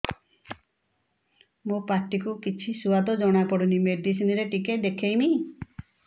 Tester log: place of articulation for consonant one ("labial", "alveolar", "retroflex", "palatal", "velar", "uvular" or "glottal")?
labial